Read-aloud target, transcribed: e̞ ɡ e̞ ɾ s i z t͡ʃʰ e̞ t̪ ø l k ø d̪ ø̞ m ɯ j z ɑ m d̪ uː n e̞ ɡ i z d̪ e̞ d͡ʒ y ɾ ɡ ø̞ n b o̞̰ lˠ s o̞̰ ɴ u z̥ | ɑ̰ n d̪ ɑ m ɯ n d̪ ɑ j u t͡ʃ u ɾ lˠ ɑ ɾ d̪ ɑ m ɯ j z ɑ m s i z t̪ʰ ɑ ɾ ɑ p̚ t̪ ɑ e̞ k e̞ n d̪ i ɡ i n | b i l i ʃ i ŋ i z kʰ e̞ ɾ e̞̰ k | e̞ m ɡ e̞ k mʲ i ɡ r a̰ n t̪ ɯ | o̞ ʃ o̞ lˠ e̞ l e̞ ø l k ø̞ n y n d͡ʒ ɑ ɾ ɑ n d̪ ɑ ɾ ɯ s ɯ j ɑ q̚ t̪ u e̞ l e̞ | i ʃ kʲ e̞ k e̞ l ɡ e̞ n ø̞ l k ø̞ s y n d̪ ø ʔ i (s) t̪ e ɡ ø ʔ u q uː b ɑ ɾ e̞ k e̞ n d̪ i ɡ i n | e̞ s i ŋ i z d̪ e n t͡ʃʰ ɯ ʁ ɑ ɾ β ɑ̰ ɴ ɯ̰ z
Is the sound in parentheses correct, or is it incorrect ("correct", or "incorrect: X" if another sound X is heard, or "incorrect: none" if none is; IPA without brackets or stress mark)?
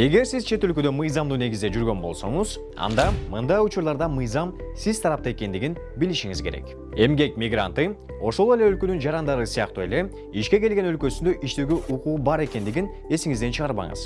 incorrect: ʃ